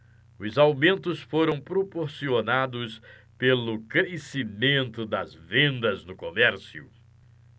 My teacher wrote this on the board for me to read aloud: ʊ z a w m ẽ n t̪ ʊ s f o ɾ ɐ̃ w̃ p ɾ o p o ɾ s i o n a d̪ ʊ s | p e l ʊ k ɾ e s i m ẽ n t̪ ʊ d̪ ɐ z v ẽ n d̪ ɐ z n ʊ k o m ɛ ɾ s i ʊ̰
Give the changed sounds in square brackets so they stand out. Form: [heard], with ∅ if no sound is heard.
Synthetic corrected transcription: ʊ z a w m ẽ n t̪ ʊ s f o ɾ ɐ̃ w̃ p ɾ o p o ɾ s i o n a d̪ ʊ s | p e l ʊ k ɾ e s i m ẽ n t̪ ʊ d̪ ɐ z v ẽ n d̪ ɐ z n ʊ k o m ɛ ɾ s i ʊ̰